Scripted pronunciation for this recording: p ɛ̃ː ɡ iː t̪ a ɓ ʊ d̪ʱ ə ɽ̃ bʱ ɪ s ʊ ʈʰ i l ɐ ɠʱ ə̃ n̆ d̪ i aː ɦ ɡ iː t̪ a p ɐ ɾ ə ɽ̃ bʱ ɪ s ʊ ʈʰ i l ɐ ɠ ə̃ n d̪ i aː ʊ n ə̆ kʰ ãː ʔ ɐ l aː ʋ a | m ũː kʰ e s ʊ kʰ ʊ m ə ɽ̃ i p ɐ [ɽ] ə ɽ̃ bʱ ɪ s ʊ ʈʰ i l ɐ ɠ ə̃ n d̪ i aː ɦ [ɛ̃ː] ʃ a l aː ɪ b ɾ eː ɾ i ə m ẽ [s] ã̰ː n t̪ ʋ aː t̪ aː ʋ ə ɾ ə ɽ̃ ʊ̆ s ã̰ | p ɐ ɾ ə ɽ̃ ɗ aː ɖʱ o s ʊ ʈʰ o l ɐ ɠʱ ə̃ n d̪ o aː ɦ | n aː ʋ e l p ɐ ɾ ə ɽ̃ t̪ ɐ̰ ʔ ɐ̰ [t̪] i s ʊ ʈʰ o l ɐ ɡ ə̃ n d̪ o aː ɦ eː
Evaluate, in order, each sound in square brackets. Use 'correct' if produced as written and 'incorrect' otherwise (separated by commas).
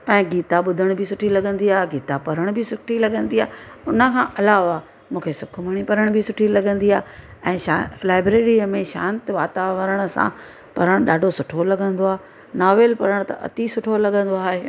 incorrect, correct, incorrect, correct